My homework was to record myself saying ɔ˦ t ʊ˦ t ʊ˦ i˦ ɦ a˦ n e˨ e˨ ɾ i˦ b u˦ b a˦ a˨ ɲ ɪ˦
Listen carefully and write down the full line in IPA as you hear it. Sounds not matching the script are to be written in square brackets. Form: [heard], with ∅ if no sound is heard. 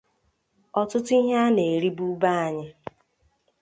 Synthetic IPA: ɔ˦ t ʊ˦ t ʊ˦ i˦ ɦ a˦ n e˨ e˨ ɾ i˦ b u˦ b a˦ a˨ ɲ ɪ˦